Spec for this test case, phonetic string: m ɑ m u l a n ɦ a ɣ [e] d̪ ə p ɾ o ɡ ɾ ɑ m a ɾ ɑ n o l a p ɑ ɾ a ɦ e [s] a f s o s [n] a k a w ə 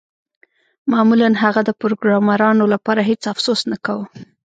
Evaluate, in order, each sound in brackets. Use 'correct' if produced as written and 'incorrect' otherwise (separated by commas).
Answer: incorrect, incorrect, correct